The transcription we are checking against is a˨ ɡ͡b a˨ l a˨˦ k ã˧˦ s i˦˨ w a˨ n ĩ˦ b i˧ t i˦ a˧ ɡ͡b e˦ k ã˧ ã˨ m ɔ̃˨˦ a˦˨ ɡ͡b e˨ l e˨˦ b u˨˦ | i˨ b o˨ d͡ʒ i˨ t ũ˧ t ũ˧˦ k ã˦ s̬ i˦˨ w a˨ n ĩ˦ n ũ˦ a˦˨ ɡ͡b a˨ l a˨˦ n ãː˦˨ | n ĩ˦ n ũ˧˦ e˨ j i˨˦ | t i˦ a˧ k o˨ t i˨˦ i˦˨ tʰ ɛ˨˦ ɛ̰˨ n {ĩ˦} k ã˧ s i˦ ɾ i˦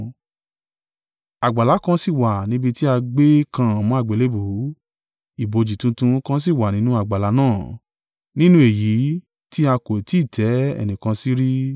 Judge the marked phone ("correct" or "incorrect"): incorrect